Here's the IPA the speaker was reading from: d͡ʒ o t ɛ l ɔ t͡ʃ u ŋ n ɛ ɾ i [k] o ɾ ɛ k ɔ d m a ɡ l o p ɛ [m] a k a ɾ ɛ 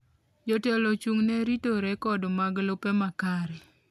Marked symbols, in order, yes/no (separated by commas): no, yes